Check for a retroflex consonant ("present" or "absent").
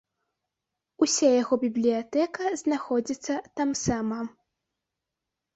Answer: absent